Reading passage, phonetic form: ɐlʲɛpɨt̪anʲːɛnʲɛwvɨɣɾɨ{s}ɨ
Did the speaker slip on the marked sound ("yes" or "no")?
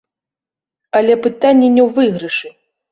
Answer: yes